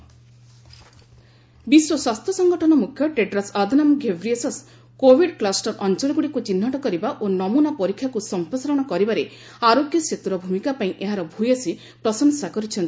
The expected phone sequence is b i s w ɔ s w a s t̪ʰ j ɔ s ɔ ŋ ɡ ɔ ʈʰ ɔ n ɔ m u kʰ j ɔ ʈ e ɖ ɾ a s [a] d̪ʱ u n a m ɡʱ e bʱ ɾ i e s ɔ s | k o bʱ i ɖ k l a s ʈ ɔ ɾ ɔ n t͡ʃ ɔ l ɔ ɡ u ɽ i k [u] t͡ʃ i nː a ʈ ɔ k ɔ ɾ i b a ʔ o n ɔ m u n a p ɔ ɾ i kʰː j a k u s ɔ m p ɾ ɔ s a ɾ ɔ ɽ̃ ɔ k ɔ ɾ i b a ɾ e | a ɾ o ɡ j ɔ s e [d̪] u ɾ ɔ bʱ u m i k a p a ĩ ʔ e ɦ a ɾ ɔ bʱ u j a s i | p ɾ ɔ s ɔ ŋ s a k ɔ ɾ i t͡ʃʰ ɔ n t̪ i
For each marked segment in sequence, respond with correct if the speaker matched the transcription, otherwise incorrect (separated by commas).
correct, correct, incorrect